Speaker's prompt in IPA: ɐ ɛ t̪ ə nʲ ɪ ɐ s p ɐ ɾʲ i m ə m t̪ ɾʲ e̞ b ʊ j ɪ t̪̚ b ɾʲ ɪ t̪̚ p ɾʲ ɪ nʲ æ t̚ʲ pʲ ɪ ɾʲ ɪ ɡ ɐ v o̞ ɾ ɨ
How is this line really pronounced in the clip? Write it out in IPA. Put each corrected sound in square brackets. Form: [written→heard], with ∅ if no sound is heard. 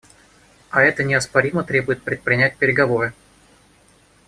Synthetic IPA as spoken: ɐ ɛ t̪ ə nʲ ɪ ɐ s p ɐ ɾʲ i m ə [m→∅] t̪ ɾʲ e̞ b ʊ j ɪ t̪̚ [b→p] ɾʲ ɪ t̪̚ p ɾʲ ɪ nʲ æ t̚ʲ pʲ ɪ ɾʲ ɪ ɡ ɐ v o̞ ɾ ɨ